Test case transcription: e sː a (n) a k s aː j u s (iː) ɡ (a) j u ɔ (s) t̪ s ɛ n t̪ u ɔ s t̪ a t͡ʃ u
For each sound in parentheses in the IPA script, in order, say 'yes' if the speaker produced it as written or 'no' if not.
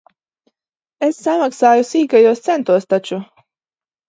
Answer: no, yes, yes, yes

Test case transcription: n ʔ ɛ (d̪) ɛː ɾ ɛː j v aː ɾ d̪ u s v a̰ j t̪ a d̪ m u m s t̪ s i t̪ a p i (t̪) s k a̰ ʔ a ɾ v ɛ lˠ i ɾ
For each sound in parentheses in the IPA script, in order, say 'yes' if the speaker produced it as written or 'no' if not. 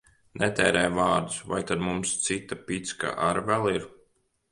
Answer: no, yes

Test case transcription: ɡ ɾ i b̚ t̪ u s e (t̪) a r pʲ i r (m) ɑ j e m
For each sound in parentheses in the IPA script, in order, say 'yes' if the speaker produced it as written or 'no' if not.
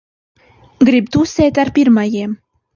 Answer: yes, yes

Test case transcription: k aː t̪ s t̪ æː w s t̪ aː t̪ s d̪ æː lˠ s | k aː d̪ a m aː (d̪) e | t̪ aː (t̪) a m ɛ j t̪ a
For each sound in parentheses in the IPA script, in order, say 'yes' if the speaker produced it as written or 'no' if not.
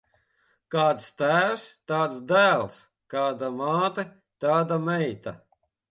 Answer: no, no

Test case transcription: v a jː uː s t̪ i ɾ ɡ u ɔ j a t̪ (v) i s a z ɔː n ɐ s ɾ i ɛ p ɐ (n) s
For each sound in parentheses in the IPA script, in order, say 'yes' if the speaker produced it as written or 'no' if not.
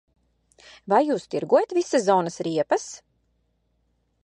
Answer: yes, no

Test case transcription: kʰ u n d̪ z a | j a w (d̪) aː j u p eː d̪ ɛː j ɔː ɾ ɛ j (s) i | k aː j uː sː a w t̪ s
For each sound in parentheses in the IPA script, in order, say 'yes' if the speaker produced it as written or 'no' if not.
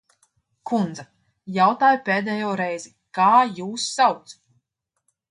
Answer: no, no

